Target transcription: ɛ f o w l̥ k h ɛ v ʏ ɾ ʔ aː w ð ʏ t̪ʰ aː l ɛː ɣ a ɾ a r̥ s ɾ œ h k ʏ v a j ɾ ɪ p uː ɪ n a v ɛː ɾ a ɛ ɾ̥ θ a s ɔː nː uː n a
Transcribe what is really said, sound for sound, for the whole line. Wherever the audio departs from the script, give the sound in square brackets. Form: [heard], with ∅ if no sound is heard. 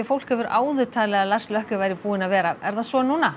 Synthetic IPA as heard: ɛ f o w l̥ k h ɛ v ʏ ɾ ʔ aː w ð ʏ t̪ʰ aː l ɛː ɣ a [l] a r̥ s [l] œ h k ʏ v a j ɾ ɪ p uː ɪ n a v ɛː ɾ a ɛ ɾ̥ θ a s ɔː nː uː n a